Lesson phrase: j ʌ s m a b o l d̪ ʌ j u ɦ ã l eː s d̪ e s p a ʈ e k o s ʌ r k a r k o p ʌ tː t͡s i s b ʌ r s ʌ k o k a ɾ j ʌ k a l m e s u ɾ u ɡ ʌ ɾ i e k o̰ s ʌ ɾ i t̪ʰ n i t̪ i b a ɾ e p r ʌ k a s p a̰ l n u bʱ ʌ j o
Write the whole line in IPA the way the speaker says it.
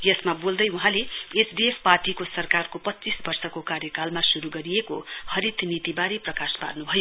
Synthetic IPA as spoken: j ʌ s m a b o l d̪ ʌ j u ɦ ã l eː s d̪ e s p a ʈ i k o s ʌ r k a r k o p ʌ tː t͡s i s b ʌ r s ʌ k o k a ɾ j ʌ k a l m a s u ɾ u ɡ ʌ ɾ i e k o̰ h ʌ ɾ i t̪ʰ n i t̪ i b a ɾ e p r ʌ k a s p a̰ r n u bʱ ʌ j o